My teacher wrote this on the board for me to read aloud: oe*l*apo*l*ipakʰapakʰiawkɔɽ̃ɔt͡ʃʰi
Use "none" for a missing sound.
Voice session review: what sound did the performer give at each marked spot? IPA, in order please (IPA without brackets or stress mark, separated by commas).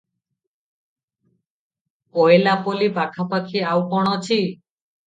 l, l